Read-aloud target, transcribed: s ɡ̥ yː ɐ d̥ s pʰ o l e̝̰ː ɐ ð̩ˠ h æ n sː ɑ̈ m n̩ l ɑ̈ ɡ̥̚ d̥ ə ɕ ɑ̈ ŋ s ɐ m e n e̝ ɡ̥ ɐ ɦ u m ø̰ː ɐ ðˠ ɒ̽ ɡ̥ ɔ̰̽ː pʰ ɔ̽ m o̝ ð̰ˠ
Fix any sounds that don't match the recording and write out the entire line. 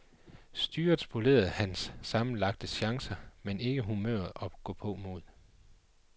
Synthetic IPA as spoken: s d̥ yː ɐ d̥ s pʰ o l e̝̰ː ɐ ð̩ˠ h æ n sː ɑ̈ m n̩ l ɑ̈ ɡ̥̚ d̥ ə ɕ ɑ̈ ŋ s ɐ m e n e̝ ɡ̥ ə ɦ u m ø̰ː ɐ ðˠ ɒ̽ ɡ̥ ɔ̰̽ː pʰ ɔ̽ m o̝ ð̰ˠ